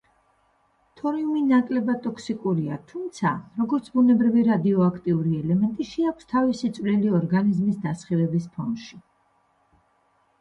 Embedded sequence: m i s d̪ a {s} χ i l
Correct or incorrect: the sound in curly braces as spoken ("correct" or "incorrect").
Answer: correct